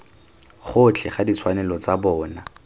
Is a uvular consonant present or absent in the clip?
present